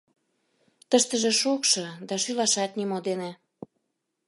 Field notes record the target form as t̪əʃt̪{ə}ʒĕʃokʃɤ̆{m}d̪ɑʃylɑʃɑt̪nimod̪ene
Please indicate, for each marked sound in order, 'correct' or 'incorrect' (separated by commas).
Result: correct, incorrect